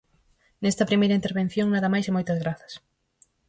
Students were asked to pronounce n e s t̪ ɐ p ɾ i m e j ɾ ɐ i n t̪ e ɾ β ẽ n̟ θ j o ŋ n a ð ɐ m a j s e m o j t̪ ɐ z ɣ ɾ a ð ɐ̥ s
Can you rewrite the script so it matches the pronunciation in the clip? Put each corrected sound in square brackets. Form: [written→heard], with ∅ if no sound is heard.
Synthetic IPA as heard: n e s t̪ ɐ p ɾ i m e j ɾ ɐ i n t̪ e ɾ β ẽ n̟ θ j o ŋ n a ð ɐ m a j s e m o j t̪ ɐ z ɣ ɾ a [ð→θ] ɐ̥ s